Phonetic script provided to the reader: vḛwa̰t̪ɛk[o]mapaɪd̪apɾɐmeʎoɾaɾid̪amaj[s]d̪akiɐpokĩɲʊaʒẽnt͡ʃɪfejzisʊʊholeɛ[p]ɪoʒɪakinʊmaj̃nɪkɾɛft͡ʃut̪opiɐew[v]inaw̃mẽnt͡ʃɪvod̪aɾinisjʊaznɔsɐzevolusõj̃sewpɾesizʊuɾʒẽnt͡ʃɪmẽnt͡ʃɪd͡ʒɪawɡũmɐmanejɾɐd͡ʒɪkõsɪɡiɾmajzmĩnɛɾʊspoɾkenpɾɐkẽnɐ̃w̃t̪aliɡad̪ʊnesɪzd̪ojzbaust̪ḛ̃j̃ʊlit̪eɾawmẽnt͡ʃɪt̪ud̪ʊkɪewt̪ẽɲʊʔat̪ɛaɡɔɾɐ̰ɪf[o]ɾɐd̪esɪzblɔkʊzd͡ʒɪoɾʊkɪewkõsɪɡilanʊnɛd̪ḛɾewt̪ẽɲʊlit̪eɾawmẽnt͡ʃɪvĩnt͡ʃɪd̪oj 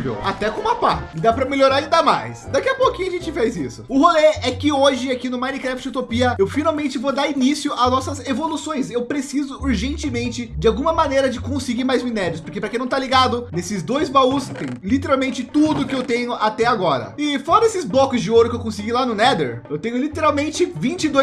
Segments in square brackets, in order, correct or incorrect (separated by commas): incorrect, correct, incorrect, incorrect, incorrect